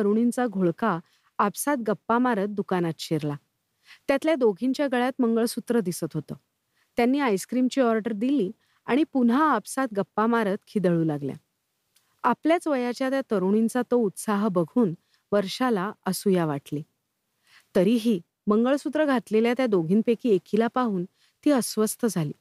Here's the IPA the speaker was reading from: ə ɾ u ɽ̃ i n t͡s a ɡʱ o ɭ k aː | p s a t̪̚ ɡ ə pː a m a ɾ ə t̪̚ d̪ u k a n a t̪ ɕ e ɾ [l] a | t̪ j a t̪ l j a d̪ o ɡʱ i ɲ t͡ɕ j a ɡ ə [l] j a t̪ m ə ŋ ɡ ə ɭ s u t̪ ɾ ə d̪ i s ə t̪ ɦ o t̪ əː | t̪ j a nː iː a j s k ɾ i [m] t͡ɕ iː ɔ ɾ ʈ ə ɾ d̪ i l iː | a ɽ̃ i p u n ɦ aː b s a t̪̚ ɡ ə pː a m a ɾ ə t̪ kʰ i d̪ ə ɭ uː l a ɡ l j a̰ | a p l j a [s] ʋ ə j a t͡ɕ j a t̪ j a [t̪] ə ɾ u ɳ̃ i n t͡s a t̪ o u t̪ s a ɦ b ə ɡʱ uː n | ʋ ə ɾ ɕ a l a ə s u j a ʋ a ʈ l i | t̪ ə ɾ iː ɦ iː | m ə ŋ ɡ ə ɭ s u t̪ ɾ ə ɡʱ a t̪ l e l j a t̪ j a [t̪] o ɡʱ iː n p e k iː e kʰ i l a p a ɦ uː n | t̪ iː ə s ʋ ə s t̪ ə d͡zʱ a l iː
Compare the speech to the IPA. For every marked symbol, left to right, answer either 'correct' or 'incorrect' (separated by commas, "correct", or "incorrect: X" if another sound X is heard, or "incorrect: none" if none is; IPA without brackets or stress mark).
correct, incorrect: ɭ, correct, incorrect: t͡s, correct, incorrect: d̪